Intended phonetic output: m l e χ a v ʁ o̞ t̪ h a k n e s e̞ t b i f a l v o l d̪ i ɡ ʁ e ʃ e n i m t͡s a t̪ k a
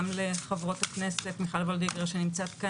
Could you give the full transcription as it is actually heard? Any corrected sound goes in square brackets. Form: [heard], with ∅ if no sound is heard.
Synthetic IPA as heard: m l e χ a v ʁ o̞ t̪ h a k n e s e̞ t [m] i [χ] a l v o l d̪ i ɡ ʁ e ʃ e n i m t͡s a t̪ k a